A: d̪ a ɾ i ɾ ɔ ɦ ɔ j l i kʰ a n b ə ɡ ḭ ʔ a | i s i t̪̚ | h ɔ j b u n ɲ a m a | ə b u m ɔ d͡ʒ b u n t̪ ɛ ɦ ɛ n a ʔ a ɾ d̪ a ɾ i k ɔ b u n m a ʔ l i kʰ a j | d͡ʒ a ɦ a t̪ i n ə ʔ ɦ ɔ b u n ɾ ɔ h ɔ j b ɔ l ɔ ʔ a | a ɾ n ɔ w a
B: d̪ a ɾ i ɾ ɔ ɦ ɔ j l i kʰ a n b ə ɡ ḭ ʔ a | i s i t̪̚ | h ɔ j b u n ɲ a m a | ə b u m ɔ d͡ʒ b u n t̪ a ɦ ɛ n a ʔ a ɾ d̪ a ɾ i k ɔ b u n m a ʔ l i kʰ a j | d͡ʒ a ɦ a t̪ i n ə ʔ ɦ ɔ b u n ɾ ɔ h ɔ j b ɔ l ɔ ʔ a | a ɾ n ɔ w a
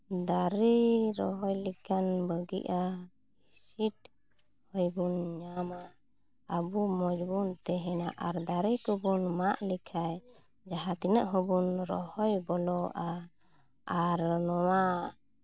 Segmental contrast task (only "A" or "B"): A